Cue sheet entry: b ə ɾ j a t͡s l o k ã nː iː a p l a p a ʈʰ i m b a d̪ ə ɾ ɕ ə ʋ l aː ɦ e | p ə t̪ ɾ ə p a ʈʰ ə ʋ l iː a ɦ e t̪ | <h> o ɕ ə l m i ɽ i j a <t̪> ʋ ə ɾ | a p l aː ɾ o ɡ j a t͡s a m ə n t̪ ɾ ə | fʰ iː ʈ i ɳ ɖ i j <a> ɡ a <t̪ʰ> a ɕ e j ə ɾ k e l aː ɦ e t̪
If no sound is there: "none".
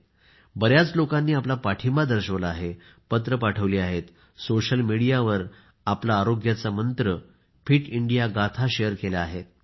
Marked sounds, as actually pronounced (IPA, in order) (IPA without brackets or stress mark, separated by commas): s, none, a, t̪ʰ